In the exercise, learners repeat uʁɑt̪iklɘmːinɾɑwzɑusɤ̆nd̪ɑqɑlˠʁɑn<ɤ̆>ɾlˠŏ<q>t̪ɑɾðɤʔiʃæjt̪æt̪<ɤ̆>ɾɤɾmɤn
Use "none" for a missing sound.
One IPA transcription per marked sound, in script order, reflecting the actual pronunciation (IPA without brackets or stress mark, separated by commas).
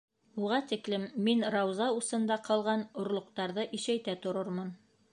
ŏ, q, ŏ